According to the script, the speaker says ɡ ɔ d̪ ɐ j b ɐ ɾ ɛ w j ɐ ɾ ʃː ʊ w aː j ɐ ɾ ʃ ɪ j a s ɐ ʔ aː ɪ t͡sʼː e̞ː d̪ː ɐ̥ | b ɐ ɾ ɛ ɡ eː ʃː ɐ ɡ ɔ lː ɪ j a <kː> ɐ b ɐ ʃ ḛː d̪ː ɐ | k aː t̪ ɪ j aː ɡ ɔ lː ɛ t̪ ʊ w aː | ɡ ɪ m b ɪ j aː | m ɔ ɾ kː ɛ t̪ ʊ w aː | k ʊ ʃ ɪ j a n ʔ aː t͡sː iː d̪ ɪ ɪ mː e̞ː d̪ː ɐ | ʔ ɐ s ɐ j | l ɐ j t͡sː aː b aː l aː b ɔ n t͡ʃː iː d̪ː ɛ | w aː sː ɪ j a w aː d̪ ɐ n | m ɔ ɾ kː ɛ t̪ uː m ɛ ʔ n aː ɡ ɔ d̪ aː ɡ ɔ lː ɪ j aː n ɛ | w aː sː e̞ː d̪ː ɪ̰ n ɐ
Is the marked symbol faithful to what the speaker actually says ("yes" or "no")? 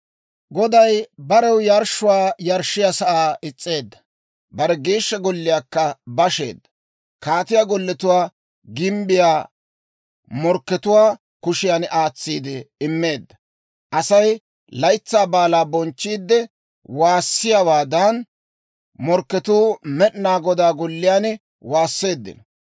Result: yes